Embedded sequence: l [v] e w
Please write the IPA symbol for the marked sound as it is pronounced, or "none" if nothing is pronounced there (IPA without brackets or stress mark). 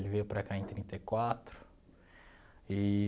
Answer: v